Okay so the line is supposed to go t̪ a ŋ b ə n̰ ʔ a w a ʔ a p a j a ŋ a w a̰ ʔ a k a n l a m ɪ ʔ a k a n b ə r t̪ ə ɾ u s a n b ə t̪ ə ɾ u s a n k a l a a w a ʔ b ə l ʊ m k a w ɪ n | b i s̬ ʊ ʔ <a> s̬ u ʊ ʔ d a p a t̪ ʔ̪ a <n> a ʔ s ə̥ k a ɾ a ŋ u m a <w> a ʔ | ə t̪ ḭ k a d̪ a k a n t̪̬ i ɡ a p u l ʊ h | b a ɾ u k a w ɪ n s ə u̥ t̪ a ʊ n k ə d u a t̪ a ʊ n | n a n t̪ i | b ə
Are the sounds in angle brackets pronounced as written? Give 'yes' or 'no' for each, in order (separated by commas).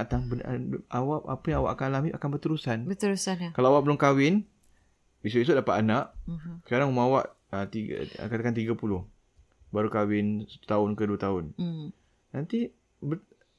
no, yes, yes